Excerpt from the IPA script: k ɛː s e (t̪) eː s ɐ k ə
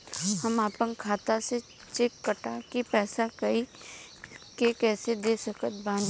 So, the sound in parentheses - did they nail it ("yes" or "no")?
no